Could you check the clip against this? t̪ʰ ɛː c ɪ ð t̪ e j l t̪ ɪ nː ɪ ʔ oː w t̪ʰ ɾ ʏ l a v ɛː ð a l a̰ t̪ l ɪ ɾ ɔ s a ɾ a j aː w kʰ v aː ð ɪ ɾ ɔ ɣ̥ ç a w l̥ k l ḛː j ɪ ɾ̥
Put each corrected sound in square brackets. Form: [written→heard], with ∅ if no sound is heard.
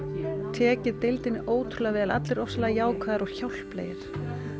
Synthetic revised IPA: t̪ʰ ɛː c ɪ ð t̪ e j l t̪ ɪ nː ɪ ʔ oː w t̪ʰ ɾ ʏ l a v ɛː ð a l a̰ t̪ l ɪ ɾ ɔ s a [ɾ→l] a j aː w kʰ v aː ð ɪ ɾ ɔ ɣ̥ ç a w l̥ [k→p] l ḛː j ɪ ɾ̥